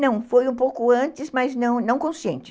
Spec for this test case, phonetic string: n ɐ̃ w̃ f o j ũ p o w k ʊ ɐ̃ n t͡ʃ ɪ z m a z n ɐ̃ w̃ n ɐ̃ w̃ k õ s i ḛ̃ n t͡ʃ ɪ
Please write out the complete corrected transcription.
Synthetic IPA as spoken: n ɐ̃ w̃ f o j ũ p o w k ʊ ɐ̃ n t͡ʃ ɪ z m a z n ɐ̃ w̃ n ɐ̃ w̃ k õ s i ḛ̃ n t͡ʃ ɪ